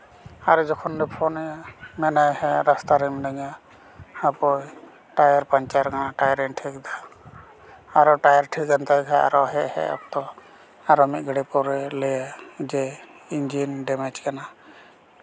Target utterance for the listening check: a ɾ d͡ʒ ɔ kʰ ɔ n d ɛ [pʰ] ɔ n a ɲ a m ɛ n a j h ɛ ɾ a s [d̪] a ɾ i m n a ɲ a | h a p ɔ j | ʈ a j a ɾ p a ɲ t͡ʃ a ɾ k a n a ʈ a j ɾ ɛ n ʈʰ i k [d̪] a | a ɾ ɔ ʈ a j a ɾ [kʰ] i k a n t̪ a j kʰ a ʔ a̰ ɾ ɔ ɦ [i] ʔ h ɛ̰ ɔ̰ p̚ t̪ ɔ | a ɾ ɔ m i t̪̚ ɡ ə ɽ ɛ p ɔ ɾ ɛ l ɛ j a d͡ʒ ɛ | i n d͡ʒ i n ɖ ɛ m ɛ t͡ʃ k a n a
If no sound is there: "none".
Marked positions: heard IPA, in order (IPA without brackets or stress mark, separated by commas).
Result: pʰ, t̪, d̪, ʈʰ, ɛ